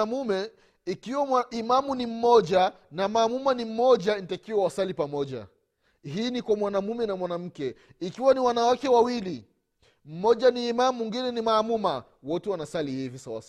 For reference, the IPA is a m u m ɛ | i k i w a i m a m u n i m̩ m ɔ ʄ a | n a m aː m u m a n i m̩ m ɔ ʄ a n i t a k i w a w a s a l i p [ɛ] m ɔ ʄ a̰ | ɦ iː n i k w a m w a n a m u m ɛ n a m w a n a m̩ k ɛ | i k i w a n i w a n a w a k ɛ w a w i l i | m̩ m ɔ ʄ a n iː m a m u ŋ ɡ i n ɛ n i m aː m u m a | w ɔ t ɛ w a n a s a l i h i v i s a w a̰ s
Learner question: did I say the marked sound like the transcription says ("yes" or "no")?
no